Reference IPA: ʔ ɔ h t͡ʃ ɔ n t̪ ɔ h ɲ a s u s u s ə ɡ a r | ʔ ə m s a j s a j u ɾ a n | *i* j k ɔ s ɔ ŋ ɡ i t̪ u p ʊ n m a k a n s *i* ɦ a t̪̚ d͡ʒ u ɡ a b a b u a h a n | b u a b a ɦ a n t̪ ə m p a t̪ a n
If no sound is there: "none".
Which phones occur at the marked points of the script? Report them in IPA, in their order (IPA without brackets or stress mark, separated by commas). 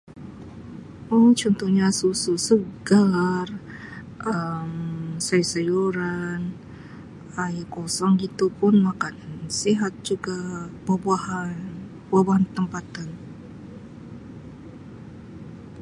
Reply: a, i